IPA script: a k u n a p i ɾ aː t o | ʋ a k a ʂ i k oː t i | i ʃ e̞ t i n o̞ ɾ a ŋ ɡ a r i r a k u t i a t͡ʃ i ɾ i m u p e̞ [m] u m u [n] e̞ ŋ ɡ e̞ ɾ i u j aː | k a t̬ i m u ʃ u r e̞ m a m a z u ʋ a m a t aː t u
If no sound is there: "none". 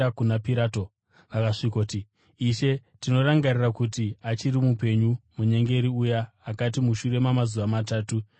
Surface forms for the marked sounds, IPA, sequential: ɲ, ɲ

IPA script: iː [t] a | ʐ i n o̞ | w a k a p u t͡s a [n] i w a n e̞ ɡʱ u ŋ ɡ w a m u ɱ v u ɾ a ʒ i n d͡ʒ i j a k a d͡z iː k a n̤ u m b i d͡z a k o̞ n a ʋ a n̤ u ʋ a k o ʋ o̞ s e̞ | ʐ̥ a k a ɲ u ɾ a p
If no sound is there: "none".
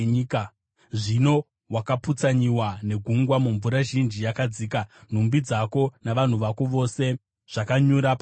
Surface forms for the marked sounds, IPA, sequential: k, ɲ

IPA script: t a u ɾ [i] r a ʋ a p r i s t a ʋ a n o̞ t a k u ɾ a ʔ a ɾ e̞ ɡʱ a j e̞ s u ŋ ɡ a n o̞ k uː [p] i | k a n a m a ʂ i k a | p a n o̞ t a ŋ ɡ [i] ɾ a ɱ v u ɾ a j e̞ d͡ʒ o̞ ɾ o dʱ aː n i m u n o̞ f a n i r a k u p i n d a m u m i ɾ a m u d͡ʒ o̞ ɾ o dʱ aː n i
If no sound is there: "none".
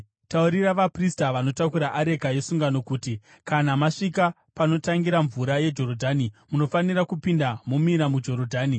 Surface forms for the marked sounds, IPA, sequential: i, t, i

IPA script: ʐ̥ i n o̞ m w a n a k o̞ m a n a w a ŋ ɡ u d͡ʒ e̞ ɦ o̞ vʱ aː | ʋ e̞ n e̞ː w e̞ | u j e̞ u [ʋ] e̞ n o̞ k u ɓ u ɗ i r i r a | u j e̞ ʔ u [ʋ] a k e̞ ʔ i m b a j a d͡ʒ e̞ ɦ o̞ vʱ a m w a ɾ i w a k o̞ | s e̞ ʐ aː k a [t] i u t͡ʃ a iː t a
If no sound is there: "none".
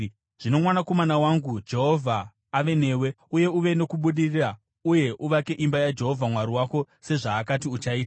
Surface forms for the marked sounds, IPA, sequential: ʋ, ʋ, t

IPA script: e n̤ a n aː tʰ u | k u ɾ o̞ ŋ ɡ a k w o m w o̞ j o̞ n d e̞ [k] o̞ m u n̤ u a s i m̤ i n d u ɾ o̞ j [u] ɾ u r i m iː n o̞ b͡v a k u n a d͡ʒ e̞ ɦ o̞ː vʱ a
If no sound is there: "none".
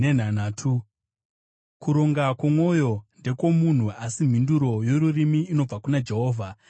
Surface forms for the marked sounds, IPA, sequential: k, o

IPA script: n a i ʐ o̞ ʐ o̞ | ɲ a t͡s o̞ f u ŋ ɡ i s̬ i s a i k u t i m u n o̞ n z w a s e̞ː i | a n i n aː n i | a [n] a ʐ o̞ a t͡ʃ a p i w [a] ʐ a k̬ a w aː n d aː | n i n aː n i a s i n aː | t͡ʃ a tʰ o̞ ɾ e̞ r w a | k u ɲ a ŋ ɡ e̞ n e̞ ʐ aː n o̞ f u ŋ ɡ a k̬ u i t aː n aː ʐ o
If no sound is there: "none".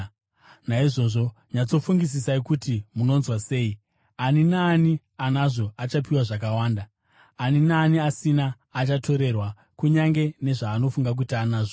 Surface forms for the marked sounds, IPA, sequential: n, a

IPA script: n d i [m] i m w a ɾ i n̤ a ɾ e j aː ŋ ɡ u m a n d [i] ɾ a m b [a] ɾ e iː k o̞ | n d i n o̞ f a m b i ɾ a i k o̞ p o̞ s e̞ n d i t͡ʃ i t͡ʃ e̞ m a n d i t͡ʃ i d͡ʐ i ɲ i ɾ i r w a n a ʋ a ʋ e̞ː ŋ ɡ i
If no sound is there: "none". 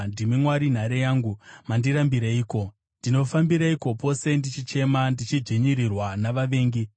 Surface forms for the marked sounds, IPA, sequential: m, i, i

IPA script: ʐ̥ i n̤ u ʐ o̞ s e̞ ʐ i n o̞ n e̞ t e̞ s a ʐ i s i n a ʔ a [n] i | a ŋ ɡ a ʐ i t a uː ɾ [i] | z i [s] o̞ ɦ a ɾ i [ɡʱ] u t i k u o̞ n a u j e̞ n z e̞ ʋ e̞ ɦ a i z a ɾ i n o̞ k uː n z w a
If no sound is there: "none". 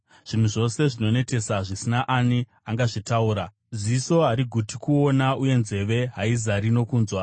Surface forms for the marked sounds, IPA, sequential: n, a, s, ɡʱ

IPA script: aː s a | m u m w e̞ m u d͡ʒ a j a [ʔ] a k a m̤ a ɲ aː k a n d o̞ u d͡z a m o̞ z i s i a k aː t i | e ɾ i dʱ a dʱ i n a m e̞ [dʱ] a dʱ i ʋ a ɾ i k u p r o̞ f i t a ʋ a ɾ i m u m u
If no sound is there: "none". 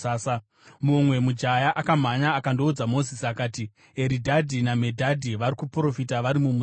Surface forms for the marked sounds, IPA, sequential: ʔ, dʱ

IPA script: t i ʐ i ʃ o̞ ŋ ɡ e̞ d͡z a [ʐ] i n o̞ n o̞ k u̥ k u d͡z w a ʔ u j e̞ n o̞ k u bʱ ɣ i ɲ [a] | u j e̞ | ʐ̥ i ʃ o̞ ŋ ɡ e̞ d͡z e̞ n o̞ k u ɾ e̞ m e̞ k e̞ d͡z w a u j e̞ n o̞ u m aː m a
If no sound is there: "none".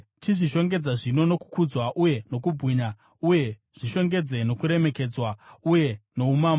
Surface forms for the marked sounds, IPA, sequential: ʐ, a

